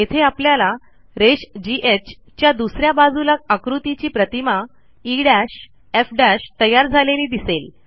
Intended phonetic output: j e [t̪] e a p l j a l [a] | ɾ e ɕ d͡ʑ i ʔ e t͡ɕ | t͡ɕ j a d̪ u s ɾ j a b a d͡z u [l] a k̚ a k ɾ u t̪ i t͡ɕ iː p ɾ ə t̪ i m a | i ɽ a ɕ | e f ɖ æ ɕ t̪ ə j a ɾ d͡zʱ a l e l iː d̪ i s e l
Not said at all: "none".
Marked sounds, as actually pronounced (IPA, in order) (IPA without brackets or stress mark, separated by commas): t̪ʰ, a, l